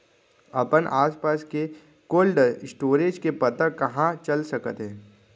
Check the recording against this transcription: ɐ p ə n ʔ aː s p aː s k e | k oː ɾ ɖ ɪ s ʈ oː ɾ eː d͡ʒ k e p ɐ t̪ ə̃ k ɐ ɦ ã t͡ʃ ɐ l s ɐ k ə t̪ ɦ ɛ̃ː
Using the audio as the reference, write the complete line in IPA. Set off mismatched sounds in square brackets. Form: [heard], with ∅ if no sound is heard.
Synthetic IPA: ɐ p ə n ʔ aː s p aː s k e | k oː [l] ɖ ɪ s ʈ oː ɾ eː d͡ʒ k e p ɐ t̪ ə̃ k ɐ ɦ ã t͡ʃ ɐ l s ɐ k ə t̪ ɦ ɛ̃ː

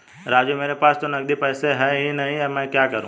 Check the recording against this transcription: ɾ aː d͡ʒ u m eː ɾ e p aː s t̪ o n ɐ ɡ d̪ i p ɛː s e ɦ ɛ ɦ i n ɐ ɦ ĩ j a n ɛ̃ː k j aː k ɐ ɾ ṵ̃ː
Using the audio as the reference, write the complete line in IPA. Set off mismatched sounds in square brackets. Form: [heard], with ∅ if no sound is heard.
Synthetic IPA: ɾ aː d͡ʒ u m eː ɾ e p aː s t̪ o n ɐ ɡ d̪ i p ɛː s e ɦ ɛ ɦ i n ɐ ɦ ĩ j a [m] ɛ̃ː k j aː k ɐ ɾ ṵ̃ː

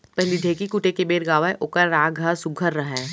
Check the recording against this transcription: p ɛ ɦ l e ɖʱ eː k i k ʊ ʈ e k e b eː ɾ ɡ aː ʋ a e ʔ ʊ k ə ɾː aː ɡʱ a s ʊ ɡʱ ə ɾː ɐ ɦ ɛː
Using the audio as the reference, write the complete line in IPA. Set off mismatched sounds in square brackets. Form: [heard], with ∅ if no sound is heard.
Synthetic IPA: p ɛ ɦ l [i] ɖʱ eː k i k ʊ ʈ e k e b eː ɾ ɡ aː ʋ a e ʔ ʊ k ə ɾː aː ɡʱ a s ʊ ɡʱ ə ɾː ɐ ɦ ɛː

